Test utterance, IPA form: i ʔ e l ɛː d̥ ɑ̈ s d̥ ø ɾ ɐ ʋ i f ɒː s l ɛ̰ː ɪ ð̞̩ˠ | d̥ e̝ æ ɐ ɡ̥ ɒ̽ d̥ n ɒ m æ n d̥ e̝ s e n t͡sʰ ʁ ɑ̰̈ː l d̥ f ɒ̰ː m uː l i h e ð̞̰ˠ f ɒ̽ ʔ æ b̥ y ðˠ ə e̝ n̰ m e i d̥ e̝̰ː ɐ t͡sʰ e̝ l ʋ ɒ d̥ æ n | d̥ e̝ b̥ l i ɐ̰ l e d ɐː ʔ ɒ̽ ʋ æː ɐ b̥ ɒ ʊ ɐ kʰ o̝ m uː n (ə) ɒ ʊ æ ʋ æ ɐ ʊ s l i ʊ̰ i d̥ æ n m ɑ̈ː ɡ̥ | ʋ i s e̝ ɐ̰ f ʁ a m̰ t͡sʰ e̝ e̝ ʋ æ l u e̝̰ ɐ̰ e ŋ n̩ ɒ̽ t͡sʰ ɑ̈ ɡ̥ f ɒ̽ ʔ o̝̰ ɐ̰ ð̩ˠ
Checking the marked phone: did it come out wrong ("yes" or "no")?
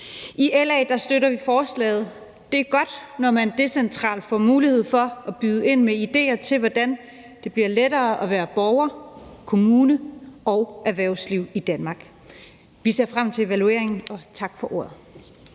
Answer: no